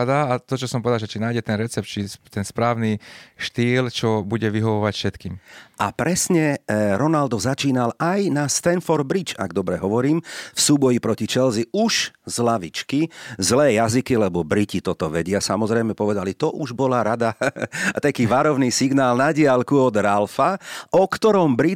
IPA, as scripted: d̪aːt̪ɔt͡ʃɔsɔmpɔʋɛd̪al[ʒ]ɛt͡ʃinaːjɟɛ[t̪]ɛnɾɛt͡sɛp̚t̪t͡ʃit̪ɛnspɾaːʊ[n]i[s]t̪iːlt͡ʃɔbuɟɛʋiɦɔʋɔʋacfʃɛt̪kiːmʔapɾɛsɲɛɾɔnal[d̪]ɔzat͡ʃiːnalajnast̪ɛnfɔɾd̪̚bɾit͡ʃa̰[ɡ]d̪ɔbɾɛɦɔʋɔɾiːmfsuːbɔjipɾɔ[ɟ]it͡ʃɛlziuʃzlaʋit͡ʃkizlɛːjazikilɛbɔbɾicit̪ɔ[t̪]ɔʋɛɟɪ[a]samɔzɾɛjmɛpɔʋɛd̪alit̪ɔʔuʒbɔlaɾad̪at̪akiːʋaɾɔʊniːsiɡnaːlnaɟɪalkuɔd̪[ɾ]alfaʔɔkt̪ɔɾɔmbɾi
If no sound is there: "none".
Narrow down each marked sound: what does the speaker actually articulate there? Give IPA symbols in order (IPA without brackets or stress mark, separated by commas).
ʒ, t̪, n, ʃ, d̪, ɡ, c, t̪, a, ɾ